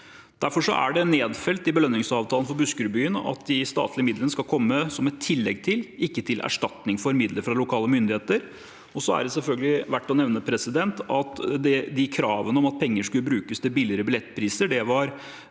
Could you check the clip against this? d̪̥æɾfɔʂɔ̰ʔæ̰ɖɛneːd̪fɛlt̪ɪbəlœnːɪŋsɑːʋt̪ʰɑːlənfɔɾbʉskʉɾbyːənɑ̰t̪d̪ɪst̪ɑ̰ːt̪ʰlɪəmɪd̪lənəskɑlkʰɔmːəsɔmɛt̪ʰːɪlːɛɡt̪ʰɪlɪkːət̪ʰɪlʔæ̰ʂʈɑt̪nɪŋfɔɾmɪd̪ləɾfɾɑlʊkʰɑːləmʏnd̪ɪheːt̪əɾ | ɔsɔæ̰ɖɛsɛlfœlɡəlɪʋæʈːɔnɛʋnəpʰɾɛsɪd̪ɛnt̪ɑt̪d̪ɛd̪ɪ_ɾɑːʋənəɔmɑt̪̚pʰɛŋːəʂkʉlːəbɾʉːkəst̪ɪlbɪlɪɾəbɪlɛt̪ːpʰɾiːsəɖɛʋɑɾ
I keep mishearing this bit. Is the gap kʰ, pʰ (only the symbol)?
kʰ